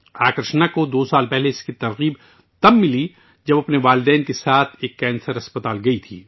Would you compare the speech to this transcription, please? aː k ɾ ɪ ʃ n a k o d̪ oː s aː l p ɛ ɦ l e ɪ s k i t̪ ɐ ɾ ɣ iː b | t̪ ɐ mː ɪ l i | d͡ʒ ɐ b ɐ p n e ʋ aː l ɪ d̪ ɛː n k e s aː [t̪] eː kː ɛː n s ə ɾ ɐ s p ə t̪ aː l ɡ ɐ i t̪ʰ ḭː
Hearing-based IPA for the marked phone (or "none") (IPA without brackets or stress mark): t̪ʰ